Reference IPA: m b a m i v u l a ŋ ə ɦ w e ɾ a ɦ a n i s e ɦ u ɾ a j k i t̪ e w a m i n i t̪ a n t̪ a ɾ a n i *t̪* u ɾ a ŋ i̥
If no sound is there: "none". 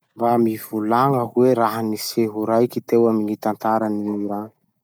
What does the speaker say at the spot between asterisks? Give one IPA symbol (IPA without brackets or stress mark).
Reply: none